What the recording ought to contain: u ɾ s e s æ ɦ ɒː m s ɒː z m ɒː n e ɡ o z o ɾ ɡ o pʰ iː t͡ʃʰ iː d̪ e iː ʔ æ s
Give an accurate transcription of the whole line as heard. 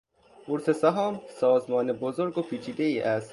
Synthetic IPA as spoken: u ɾ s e s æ ɦ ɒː m s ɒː z m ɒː n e b o z o ɾ ɡ o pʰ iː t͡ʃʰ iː d̪ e iː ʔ æ s